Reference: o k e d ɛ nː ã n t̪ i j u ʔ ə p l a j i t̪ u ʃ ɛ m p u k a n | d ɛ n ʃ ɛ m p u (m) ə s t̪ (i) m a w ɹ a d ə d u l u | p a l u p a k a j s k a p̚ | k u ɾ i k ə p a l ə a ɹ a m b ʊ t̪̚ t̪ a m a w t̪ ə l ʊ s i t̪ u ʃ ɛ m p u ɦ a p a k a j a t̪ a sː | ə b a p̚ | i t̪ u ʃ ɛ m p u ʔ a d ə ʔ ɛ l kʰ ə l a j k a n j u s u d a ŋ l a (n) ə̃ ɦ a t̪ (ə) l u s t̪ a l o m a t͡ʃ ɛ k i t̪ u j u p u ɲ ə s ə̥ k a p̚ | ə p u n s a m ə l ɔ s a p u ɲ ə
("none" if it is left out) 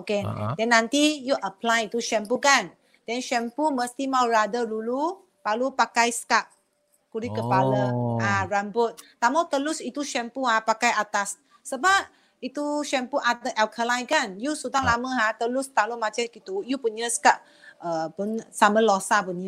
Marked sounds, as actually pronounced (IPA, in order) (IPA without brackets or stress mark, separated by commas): m, i, m, ə